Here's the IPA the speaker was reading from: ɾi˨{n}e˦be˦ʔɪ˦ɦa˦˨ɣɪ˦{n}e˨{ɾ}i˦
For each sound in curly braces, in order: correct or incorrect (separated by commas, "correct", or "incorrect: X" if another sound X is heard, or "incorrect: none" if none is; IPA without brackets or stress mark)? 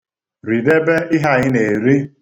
incorrect: d, correct, correct